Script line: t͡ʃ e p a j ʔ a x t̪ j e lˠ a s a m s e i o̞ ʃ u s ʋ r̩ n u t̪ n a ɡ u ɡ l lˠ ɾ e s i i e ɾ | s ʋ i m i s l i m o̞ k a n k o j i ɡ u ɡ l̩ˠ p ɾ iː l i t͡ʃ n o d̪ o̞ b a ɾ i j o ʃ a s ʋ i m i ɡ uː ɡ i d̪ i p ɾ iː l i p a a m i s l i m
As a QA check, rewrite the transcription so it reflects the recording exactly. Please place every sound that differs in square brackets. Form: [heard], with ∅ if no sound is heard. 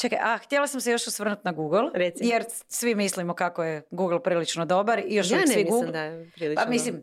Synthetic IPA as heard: t͡ʃ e [k] a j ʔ a x t̪ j e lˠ a s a m s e [j] o̞ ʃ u s ʋ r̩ n u t̪ n a ɡ u ɡ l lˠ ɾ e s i [j] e ɾ | s ʋ i m i s l i m o̞ k a [∅] k o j [e] ɡ u ɡ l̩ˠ p ɾ iː l i t͡ʃ n o d̪ o̞ b a ɾ i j o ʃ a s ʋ i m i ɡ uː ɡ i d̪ [a] p ɾ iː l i p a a m i s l i m